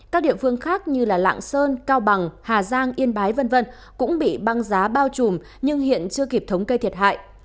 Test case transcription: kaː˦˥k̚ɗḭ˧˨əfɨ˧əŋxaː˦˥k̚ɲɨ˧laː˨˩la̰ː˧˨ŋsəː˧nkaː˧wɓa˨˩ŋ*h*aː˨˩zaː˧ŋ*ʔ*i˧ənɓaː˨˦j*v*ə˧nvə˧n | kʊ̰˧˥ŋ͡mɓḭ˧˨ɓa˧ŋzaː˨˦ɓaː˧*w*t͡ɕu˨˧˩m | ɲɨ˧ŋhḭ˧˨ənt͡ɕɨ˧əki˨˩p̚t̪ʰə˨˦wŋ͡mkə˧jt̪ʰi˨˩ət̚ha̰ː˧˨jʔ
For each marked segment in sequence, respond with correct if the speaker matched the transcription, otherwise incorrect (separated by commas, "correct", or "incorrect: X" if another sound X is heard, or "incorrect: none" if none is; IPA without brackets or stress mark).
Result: correct, correct, correct, correct